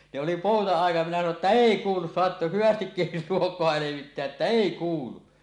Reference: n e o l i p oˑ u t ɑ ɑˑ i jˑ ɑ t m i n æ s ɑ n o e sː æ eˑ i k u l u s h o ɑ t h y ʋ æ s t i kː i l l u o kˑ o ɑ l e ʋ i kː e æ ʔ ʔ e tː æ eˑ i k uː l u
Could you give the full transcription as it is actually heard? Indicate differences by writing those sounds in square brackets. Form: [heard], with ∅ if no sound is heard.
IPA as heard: n e o l i p oˑ u t ɑ ɑˑ i jˑ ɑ t m i n æ s ɑ n o e [tː] æ eˑ i k [uː] l u s [s] o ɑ t h y ʋ æ s t i kː i l l u o kˑ o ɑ l e ʋ i [tː] e æ ʔ ʔ e tː æ eˑ i k uː l u

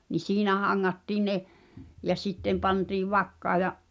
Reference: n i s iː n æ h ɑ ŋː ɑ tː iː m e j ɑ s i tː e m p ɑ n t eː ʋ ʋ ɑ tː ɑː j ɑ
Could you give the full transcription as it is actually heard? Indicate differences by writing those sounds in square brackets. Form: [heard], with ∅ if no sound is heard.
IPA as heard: n i s iː n æ h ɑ ŋː ɑ tː iː [n] e j ɑ s i tː e m p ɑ n t [iː] ʋ ʋ ɑ [kː] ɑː j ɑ

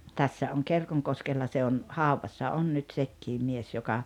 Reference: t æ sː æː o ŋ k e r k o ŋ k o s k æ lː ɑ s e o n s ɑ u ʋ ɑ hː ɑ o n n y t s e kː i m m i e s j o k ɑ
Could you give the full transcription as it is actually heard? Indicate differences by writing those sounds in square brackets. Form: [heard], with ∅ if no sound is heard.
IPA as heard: t æ sː [æ] o ŋ k e r k o ŋ k o s k [e] lː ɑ s e o n [h] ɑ u ʋ ɑ [sː] ɑ o n n y t s e kː [iː] m m i e s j o k ɑ

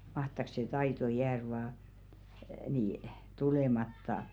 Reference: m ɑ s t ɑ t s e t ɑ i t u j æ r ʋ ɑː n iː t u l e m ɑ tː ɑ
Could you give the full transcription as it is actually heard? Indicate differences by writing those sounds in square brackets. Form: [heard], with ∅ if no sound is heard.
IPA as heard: m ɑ [h] t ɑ [k] s e t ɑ i t [o] j [æː] r ʋ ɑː n iː t u l e m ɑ tː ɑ

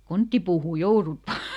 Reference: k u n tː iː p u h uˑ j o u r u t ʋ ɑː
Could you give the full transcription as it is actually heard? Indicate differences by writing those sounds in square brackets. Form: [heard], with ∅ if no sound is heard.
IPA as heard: k [o] n tː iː p [uː] h uˑ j o u r u t ʋ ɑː

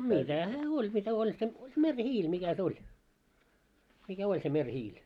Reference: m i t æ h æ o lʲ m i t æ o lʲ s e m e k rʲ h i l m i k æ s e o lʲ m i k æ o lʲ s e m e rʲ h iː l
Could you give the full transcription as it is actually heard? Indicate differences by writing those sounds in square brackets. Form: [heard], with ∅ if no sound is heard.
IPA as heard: m i t æ h [æː] o lʲ m i t æ o lʲ s e m e [∅] rʲ h [iː] l m i k æ s e o lʲ m i k æ o lʲ s e m e rʲ h iː l

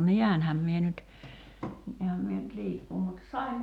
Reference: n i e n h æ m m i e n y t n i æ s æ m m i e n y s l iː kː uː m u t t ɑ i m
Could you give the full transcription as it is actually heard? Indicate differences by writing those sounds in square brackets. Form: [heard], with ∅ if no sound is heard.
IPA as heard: n i [æ] n h æ m m i e n y t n i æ [h] æ m m i e n y [t] l iː kː uː m u t [s] ɑ i m

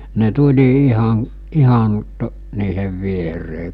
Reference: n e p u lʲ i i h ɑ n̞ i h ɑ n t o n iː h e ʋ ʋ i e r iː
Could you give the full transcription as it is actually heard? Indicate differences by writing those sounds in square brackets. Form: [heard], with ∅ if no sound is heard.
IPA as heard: n e [t] u lʲ i i h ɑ n̞ i h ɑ n t o n iː h e ʋ ʋ i e r [eː]

